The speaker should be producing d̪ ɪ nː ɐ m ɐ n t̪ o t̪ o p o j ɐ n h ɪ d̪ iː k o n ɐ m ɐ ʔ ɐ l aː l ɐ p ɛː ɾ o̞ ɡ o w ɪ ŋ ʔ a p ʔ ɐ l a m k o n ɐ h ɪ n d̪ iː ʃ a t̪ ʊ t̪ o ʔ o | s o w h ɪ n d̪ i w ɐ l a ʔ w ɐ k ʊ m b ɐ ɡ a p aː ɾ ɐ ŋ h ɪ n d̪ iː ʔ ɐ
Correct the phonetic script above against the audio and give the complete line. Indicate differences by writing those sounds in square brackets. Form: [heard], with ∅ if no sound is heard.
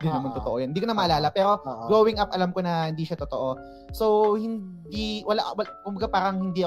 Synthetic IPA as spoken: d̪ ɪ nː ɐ m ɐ n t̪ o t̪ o [ʔ] o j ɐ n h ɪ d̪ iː k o n ɐ m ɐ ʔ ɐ l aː l ɐ p ɛː ɾ o̞ ɡ o w ɪ ŋ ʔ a p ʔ ɐ l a m k o n ɐ h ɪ n d̪ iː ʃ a t̪ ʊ t̪ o ʔ o | s o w h ɪ n d̪ i w ɐ l a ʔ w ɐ k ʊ m b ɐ ɡ a p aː ɾ ɐ ŋ h ɪ n d̪ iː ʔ ɐ